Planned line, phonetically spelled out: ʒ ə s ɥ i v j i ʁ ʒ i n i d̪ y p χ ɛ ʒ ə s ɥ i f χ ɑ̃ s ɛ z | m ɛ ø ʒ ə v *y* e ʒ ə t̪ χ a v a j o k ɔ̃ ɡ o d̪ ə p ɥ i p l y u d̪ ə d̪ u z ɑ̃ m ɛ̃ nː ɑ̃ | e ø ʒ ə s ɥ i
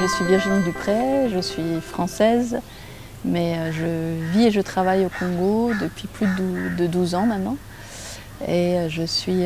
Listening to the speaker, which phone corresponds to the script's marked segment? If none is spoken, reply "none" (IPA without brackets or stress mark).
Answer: i